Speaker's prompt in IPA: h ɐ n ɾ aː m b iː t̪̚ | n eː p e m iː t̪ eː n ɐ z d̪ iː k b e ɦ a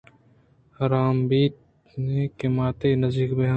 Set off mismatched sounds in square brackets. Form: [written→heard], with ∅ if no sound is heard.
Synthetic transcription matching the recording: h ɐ [n→∅] ɾ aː m b iː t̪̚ | n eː [p→k] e m [iː→aː] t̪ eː n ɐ z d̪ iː k b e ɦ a